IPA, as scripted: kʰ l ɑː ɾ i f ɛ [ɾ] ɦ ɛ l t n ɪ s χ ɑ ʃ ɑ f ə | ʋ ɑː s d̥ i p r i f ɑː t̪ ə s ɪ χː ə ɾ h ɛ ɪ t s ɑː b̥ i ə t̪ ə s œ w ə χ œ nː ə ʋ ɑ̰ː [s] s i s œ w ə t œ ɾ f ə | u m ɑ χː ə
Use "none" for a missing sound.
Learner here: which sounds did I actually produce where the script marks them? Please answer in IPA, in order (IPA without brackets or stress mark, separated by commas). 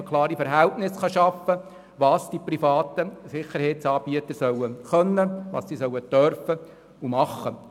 ɾ, s